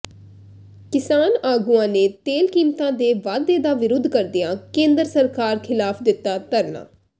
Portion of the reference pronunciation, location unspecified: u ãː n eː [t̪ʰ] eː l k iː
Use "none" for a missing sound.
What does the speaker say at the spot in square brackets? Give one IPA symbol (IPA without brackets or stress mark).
t̪